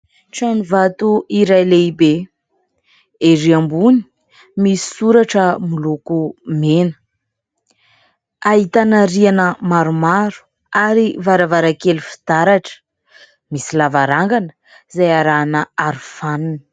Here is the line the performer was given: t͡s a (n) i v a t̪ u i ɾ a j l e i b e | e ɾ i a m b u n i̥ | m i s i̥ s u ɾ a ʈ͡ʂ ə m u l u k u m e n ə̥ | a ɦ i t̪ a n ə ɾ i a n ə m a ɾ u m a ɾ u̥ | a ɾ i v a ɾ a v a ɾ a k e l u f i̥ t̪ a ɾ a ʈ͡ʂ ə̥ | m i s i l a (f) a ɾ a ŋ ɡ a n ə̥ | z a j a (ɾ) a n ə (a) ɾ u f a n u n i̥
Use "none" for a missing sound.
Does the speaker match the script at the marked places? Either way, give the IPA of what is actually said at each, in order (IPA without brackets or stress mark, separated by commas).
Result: n, v, ɾ, a